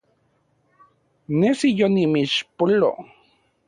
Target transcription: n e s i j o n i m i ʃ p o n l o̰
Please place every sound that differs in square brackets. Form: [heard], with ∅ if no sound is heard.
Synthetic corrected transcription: n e s i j o n i m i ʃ p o [∅] l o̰